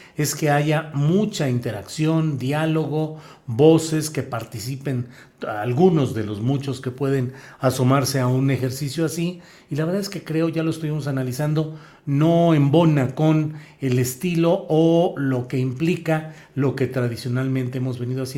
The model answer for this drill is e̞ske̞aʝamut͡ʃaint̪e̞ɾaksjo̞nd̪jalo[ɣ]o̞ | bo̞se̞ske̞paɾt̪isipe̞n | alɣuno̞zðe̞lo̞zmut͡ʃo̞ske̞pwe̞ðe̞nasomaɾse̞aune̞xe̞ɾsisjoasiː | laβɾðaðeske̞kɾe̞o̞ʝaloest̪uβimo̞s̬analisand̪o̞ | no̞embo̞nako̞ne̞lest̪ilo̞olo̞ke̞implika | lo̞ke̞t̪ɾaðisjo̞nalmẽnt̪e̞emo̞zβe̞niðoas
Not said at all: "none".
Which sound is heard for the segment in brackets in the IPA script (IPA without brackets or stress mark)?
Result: ɣ